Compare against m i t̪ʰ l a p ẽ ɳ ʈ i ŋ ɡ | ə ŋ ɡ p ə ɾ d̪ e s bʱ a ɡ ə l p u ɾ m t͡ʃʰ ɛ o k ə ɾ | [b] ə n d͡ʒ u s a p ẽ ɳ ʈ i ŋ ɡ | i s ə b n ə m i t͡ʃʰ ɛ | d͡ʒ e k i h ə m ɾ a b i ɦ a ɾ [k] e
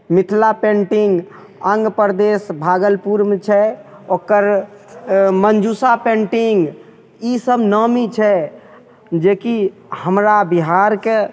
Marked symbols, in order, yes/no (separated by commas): no, yes